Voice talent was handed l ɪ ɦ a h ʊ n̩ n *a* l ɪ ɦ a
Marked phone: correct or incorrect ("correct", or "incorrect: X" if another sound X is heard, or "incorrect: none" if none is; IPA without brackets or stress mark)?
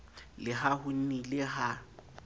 incorrect: i